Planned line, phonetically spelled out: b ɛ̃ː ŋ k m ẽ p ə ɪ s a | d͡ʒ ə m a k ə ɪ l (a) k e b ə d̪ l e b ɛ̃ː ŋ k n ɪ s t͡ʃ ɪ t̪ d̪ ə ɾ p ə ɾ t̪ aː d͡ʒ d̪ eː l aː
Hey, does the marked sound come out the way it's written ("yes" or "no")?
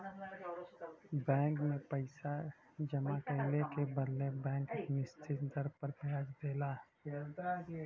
no